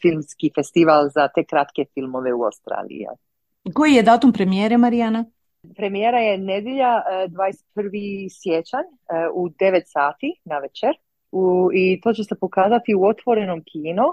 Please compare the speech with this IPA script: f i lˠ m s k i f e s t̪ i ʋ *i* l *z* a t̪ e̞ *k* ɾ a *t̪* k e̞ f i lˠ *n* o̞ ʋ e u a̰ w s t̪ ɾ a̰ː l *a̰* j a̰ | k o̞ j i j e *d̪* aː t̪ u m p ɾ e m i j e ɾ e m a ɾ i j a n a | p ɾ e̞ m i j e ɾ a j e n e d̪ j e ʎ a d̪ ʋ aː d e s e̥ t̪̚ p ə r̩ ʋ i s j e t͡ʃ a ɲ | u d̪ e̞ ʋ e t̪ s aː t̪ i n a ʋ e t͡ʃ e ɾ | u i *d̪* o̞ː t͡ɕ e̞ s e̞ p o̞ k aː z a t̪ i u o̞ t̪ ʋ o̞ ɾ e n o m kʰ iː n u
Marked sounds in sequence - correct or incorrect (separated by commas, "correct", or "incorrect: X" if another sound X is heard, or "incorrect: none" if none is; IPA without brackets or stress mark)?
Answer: incorrect: a, correct, correct, correct, incorrect: m, incorrect: ḭ, correct, incorrect: t̪